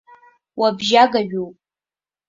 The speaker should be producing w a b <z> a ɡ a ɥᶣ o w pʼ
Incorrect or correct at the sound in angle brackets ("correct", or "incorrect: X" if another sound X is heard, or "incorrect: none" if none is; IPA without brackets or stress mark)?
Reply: incorrect: ʒ